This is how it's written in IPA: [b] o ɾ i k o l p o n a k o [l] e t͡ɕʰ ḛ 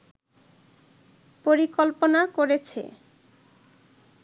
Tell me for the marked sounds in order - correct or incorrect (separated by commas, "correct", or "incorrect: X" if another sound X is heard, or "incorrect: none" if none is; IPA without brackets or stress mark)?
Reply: incorrect: p, incorrect: ɾ